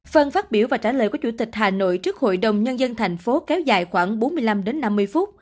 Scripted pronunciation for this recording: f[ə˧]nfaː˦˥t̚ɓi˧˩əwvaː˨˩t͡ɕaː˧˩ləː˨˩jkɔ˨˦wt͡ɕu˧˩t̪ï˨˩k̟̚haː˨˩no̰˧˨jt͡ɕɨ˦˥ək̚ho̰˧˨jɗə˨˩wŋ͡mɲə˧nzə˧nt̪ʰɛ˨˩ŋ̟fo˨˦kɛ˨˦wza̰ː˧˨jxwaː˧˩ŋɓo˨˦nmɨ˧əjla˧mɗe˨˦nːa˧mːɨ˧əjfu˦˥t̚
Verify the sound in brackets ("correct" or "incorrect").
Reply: correct